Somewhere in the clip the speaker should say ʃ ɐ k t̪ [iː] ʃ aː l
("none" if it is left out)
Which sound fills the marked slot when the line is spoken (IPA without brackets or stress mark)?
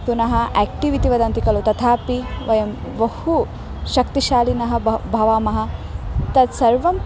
i